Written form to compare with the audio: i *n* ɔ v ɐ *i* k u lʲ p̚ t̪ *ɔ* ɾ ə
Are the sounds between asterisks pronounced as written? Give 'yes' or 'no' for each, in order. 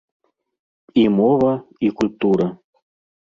no, yes, no

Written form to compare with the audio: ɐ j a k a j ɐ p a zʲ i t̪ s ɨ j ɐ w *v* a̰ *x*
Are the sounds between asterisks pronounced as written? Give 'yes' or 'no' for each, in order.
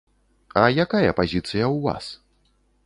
yes, no

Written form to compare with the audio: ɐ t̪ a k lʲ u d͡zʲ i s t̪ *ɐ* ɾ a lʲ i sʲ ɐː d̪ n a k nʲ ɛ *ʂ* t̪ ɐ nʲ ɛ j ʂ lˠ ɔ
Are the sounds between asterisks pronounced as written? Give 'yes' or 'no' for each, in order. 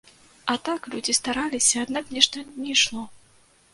no, yes

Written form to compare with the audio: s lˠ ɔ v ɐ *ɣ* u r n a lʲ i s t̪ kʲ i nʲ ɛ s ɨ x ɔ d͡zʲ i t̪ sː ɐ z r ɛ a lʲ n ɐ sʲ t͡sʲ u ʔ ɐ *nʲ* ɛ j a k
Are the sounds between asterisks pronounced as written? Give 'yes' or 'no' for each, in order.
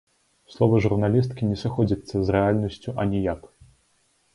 no, yes

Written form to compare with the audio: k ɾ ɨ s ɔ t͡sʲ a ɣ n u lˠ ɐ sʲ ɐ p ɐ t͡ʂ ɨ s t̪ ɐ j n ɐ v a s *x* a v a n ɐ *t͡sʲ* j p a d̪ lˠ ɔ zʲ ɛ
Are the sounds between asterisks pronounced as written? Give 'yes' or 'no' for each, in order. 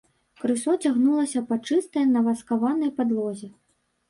no, no

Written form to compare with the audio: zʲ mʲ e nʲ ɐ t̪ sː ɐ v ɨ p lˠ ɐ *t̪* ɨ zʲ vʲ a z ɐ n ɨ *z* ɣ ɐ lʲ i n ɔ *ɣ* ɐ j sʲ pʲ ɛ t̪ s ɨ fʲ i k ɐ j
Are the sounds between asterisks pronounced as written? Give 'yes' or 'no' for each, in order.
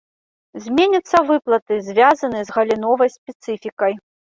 yes, yes, no

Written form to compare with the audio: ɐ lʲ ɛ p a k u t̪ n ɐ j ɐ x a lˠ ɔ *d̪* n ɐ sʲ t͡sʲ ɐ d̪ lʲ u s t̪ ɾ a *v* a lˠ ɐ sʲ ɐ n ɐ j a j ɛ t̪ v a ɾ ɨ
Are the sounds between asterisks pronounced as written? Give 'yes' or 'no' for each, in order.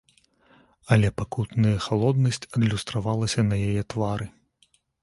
yes, yes

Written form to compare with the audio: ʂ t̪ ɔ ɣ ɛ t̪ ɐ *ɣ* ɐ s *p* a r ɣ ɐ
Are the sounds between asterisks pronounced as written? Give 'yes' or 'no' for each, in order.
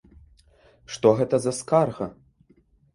no, no

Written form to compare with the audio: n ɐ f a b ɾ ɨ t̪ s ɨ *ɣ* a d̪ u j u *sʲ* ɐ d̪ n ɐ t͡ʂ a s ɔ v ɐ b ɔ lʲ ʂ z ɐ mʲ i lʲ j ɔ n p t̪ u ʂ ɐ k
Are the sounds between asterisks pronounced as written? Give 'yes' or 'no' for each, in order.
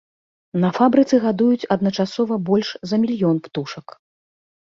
yes, no

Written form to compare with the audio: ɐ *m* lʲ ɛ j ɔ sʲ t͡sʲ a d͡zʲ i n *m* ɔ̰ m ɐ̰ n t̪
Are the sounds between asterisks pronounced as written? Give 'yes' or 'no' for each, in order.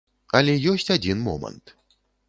no, yes

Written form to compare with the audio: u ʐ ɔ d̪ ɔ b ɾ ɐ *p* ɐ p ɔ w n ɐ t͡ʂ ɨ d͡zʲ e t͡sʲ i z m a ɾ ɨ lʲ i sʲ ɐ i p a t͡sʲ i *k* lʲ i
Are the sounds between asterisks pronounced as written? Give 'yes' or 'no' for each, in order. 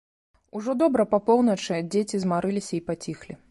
yes, no

